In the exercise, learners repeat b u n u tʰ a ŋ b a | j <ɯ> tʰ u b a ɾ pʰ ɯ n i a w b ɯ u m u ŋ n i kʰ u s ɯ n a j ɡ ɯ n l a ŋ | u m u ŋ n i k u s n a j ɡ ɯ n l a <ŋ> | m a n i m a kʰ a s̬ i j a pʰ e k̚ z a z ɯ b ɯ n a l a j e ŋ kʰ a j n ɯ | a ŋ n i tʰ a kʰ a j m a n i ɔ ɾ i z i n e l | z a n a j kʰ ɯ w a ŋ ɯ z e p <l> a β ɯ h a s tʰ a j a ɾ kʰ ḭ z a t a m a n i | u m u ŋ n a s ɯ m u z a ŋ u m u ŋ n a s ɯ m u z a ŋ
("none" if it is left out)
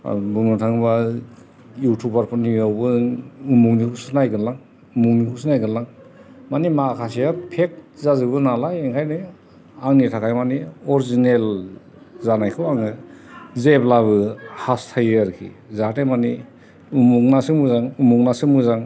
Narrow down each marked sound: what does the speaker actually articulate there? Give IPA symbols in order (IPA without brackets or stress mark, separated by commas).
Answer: u, ŋ, l